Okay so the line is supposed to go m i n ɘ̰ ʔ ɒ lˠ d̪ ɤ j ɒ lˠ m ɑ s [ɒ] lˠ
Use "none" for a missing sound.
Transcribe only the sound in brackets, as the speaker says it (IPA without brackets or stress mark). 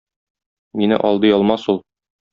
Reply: u